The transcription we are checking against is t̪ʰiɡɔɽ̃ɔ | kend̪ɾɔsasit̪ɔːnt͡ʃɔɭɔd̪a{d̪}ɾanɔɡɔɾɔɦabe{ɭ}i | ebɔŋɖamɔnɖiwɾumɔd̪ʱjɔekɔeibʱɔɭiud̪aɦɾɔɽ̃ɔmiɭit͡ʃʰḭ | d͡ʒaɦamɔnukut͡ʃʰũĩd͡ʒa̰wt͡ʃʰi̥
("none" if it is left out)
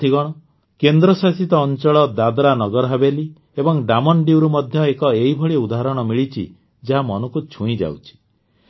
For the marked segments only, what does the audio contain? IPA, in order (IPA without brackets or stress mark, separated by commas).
d̪, l